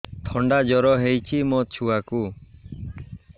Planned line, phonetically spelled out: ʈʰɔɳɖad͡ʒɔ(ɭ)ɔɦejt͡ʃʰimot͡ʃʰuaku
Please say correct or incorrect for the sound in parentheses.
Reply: incorrect: ɾ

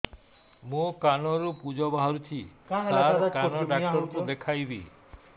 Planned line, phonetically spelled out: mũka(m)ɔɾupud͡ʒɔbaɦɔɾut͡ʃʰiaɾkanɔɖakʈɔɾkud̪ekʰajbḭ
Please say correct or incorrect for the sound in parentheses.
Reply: incorrect: n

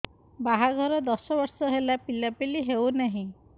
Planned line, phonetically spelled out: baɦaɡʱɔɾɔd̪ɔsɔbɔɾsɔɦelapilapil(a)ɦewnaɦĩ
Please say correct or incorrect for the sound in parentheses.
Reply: incorrect: i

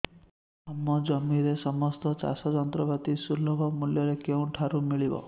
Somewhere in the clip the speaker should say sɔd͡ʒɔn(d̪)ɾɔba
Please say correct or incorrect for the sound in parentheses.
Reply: incorrect: t̪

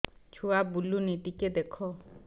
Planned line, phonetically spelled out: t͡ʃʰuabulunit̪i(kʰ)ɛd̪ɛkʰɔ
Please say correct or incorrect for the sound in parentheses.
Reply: incorrect: k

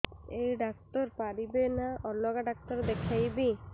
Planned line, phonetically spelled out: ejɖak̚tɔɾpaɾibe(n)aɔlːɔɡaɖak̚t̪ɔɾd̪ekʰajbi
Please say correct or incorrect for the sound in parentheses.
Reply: correct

